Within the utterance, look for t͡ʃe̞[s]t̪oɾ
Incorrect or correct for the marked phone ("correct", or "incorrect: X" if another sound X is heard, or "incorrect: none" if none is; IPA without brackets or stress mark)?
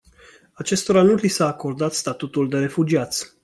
correct